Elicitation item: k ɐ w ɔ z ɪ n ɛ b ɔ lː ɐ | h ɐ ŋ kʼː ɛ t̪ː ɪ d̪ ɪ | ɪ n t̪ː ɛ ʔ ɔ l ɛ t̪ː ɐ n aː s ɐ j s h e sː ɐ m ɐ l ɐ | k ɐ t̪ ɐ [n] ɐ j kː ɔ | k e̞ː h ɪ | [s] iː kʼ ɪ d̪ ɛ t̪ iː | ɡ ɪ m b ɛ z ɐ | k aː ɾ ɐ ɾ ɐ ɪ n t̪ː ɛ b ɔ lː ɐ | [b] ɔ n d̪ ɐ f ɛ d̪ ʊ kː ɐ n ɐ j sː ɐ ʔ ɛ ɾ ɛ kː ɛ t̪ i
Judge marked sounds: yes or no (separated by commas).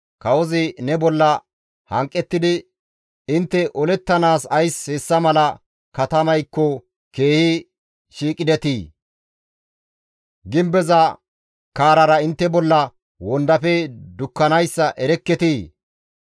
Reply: no, no, no